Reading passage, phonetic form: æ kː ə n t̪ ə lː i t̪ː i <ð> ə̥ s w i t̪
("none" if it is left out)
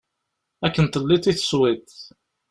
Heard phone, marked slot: θ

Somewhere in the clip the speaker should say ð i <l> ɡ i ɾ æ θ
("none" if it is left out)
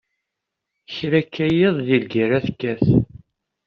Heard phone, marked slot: l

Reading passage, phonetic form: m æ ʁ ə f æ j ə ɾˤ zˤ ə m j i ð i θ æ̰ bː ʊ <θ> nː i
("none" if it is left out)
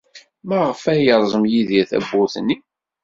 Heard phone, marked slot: θ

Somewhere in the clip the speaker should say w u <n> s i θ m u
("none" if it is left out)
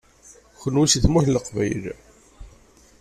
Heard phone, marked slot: none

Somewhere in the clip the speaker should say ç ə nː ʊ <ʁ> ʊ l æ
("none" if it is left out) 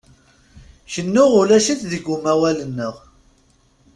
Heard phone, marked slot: ʁ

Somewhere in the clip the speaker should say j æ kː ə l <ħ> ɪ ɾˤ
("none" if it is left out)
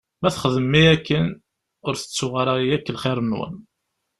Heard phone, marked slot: χ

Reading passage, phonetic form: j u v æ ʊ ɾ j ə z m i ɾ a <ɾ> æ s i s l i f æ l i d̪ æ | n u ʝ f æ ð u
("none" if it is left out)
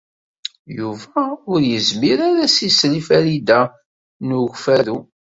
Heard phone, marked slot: ɾ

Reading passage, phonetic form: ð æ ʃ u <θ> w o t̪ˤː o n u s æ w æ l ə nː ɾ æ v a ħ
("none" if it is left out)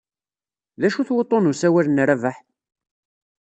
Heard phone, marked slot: θ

